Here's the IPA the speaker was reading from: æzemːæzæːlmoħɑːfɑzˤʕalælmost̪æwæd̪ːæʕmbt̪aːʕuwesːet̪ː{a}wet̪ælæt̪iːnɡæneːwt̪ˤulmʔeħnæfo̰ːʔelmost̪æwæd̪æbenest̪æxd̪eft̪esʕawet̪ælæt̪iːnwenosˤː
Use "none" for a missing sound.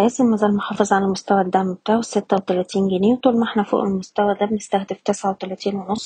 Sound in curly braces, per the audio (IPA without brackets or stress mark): æ